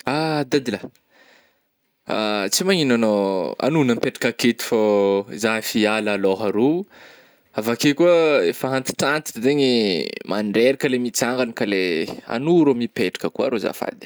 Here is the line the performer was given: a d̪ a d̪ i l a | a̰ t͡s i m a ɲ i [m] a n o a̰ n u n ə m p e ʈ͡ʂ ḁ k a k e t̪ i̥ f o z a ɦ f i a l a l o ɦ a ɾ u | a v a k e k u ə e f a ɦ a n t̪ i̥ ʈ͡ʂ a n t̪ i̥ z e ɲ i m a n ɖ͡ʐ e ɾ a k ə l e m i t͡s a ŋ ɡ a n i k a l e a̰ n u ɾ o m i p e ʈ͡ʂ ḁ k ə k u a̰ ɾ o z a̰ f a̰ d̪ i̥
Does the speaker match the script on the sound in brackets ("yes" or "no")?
no